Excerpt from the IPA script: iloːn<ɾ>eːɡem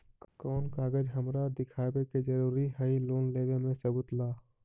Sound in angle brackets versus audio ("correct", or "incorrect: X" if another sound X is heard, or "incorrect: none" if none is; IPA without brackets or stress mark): incorrect: l